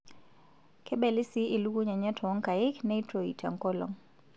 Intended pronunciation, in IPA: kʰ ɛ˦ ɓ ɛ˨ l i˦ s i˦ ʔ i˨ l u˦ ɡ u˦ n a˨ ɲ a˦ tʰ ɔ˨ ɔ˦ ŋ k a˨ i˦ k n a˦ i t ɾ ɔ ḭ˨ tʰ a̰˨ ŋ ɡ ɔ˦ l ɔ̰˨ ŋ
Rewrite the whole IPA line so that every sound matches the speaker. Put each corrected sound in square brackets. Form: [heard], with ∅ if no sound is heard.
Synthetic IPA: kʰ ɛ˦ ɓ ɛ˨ l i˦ s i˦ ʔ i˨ l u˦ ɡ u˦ [ɲ] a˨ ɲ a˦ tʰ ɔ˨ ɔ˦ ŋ k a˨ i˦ k n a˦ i t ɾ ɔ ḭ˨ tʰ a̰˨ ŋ [k] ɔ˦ l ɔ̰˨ ŋ